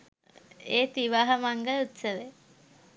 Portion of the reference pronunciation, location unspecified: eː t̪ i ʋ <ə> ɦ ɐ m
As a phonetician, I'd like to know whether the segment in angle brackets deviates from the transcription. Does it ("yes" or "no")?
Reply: yes